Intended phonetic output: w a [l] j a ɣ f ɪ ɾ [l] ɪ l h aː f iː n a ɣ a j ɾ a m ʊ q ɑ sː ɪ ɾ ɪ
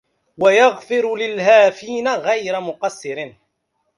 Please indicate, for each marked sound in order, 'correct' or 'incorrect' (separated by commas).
incorrect, correct